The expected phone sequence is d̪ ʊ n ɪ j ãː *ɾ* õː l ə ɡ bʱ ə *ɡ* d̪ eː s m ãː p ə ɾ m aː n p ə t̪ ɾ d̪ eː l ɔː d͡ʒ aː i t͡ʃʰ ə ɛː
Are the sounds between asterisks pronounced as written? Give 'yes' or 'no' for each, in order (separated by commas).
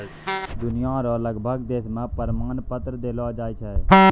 yes, yes